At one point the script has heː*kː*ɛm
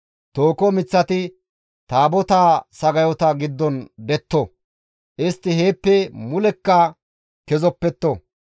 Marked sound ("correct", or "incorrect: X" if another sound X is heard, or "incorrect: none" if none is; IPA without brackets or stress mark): incorrect: pː